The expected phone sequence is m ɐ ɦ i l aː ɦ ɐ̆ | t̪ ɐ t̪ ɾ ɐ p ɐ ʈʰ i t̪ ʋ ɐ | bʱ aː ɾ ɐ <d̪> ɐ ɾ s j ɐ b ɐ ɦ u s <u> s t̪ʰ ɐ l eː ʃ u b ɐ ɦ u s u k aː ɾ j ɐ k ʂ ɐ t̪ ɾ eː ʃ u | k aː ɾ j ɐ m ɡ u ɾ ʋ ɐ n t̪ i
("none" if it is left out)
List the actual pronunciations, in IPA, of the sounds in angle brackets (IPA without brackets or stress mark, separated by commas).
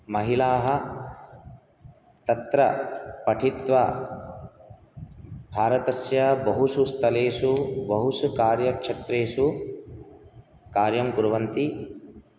t̪, u